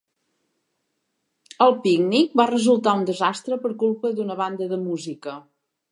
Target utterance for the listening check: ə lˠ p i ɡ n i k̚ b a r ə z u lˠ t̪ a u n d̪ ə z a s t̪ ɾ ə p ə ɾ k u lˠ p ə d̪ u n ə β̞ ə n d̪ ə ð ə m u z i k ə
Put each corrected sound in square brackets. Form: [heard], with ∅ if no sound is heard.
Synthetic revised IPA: ə lˠ p i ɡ n i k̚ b a r ə z u lˠ t̪ a u n d̪ ə z a s t̪ ɾ ə p ə ɾ k u lˠ p ə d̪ u n ə β̞ [a] n d̪ ə ð ə m u z i k ə